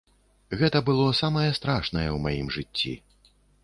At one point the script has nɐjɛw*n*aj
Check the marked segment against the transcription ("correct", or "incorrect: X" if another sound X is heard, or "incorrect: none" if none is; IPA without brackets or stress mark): incorrect: m